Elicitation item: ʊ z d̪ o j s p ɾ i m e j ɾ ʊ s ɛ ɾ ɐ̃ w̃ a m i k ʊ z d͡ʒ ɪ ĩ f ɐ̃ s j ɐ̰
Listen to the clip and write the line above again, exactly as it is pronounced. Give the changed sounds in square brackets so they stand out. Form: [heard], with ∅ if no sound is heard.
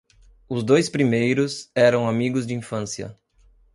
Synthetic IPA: ʊ z d̪ o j s p ɾ i m e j ɾ ʊ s ɛ ɾ ɐ̃ w̃ a m i [ɡ] ʊ z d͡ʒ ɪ ĩ f ɐ̃ s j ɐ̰